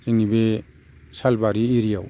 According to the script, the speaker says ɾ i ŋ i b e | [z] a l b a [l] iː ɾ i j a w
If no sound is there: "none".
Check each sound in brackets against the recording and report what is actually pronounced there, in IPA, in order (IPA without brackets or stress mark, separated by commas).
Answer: s, ɾ